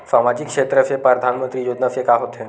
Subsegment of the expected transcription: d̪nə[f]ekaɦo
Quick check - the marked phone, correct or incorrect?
correct